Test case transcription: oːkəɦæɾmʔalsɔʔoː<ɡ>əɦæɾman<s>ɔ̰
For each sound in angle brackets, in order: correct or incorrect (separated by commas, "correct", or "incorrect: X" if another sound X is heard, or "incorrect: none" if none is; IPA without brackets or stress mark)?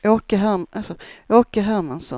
incorrect: k, correct